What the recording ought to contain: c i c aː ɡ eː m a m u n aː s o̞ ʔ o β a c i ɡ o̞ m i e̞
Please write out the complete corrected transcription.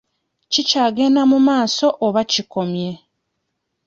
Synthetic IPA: c i c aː ɡ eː n a m u m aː s o̞ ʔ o β a c i k o̞ m j e̞